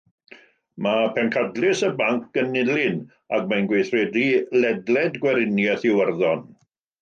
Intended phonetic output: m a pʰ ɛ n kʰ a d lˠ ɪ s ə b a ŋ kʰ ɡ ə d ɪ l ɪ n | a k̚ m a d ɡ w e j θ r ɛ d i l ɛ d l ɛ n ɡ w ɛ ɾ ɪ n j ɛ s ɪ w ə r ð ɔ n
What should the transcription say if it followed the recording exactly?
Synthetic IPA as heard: m a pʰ ɛ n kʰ a d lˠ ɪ s ə b a ŋ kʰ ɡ ə n ɪ l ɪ n | a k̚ m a n ɡ w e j θ r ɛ d i l ɛ d l ɛ d ɡ w ɛ ɾ ɪ n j ɛ θ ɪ w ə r ð ɔ n